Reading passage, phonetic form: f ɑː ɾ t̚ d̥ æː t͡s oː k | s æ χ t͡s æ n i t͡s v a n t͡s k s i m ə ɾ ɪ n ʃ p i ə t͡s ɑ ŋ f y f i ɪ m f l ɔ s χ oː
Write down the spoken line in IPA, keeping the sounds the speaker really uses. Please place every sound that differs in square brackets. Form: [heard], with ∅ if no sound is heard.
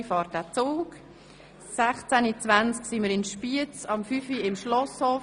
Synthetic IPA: f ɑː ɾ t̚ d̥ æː t͡s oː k | s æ χ t͡s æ n i t͡s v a n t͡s k s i m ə ɾ ɪ n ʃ p i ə t͡s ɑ [m] f y f i ɪ m [ʃ] l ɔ s [h] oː